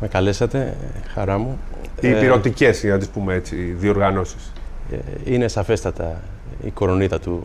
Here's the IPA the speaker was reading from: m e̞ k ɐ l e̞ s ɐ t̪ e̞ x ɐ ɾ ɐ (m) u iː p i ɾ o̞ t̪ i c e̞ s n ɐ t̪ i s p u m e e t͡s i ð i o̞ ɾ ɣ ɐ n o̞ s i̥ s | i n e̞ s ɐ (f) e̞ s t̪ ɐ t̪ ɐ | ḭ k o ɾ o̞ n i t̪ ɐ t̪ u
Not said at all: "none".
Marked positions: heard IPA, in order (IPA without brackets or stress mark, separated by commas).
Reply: m, f